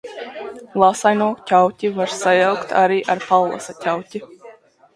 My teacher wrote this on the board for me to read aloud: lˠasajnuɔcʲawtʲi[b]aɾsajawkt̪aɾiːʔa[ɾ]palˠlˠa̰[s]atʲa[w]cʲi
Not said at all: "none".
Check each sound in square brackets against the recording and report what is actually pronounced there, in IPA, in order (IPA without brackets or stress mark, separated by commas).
v, ɾ, s, w